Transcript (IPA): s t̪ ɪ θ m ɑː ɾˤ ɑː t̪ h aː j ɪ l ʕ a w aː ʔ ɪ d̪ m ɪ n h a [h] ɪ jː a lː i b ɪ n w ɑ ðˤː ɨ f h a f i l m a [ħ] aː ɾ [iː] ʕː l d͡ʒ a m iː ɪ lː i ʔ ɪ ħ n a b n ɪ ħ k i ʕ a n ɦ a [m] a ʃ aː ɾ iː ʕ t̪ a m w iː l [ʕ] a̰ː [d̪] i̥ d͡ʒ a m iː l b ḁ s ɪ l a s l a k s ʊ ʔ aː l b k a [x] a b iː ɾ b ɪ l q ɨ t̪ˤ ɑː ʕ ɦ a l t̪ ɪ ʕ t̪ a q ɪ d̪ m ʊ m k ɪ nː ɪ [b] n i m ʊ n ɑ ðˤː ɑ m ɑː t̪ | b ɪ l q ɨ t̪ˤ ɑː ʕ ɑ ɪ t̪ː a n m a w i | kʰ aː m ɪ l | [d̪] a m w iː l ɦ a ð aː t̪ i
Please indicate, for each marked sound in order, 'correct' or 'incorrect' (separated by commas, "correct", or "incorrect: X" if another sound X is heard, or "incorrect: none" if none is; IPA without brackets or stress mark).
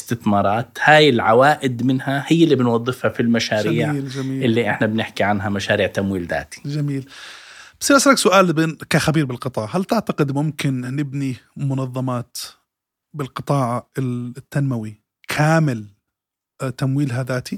correct, incorrect: ʃ, correct, correct, incorrect: ð, incorrect: t̪, correct, correct, incorrect: t̪